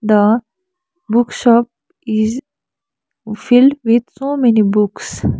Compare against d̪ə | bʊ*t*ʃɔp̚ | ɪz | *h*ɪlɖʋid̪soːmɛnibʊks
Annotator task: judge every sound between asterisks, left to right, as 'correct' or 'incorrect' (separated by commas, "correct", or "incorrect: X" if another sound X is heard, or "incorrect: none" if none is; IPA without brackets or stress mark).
incorrect: k, incorrect: f